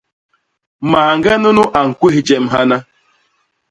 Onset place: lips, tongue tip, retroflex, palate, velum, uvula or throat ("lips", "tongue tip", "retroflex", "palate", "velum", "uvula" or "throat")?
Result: lips